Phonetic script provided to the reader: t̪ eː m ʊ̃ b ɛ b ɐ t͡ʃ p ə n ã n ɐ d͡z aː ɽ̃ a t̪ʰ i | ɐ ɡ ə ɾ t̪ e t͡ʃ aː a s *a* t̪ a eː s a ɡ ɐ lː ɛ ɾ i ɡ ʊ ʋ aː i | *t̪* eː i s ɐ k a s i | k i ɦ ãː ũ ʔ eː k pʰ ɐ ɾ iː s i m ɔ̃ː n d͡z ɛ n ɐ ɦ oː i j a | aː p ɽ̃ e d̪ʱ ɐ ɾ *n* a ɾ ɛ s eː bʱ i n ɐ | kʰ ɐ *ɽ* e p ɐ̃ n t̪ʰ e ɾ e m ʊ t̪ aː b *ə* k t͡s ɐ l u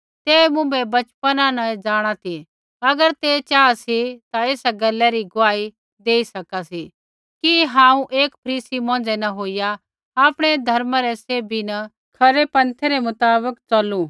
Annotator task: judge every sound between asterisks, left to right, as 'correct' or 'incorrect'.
incorrect, incorrect, incorrect, incorrect, correct

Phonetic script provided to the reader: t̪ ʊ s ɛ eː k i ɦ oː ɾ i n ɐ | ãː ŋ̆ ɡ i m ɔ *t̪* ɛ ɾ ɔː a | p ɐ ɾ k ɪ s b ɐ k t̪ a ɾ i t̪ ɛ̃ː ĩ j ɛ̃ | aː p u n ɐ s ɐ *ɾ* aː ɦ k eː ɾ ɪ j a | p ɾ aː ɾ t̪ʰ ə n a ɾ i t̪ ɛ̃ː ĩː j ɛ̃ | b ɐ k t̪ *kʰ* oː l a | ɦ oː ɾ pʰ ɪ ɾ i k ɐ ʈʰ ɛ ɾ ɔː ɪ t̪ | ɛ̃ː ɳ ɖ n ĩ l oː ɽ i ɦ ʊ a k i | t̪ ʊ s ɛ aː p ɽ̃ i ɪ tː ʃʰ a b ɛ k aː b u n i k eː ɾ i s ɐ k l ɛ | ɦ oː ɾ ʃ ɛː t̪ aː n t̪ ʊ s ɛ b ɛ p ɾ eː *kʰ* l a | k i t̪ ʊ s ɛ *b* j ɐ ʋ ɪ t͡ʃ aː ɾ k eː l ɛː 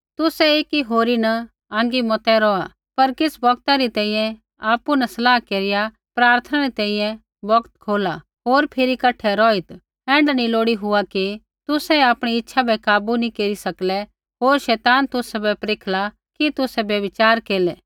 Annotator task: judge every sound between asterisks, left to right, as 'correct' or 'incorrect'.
correct, incorrect, correct, correct, correct

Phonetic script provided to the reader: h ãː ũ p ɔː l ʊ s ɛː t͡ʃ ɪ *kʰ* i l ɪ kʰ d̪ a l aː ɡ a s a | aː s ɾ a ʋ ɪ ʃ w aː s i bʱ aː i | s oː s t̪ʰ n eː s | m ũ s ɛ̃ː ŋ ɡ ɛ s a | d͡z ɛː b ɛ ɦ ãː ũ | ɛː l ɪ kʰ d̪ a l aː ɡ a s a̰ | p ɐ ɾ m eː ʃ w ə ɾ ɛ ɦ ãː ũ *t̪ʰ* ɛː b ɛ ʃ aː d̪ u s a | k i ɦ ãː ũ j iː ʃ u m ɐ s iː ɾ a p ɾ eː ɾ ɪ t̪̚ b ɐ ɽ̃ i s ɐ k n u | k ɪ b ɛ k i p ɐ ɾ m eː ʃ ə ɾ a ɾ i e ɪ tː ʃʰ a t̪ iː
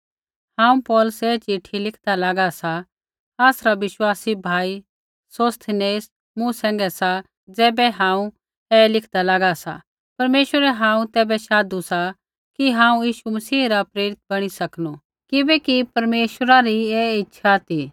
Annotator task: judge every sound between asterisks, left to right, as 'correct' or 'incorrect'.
incorrect, incorrect

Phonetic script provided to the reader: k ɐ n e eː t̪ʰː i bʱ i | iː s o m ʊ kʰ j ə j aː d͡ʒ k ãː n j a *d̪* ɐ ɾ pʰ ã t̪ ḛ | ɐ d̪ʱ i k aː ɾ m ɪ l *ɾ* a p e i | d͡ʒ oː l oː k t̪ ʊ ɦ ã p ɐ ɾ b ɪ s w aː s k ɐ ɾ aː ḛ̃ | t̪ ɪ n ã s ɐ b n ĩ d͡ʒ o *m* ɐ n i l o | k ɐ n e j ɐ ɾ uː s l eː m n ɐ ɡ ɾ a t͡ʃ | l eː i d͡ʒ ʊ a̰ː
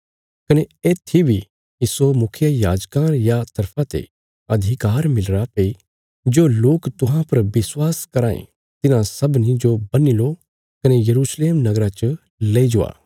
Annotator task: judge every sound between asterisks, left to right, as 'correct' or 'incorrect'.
incorrect, correct, incorrect

